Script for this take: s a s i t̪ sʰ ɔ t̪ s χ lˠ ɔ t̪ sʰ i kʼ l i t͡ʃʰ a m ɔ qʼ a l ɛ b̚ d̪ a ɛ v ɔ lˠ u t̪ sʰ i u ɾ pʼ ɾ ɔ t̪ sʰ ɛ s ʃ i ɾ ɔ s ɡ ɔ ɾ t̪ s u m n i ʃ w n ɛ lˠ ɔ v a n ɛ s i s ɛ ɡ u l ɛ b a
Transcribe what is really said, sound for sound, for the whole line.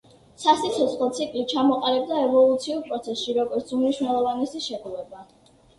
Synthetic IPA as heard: s a s i t̪ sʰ ɔ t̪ s χ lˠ ɔ t̪ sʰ i kʼ l i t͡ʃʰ a m ɔ qʼ a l ɛ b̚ d̪ a ɛ v ɔ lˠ u t̪ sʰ i u ɾ pʼ ɾ ɔ t̪ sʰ ɛ s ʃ i ɾ ɔ ɡ ɔ ɾ t̪ s u m n i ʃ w n ɛ lˠ ɔ v a n ɛ s i ʃ ɛ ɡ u l ɛ b a